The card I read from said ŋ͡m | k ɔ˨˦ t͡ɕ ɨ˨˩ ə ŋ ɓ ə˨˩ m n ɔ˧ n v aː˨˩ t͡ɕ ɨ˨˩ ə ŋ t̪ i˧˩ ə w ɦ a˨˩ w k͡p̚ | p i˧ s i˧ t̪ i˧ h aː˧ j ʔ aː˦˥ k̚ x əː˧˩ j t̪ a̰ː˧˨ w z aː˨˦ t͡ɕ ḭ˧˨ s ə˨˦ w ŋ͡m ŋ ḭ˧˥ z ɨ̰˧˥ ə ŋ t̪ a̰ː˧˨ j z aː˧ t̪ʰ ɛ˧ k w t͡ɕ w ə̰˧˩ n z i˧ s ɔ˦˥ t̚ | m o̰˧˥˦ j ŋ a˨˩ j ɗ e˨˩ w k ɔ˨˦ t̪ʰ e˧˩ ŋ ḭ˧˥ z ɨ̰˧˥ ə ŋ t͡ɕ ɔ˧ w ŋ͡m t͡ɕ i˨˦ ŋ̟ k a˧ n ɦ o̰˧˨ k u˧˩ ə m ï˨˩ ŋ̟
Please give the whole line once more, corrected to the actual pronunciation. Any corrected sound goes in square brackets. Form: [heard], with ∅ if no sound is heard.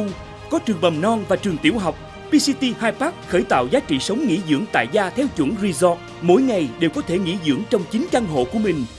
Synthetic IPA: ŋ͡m | k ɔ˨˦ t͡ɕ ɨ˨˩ ə ŋ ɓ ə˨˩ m n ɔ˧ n v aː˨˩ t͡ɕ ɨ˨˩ ə ŋ t̪ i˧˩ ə w ɦ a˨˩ w k͡p̚ | p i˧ s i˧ t̪ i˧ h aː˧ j [p] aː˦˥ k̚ x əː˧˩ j t̪ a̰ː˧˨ w z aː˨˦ t͡ɕ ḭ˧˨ s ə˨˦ w ŋ͡m ŋ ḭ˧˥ z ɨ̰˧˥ ə ŋ t̪ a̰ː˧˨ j z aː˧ t̪ʰ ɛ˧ [∅] w t͡ɕ w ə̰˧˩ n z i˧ [z] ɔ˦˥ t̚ | m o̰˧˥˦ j ŋ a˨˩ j ɗ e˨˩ w k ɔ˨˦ t̪ʰ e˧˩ ŋ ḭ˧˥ z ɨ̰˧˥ ə ŋ t͡ɕ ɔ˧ w ŋ͡m t͡ɕ i˨˦ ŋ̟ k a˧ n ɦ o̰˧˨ k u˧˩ ə m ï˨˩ ŋ̟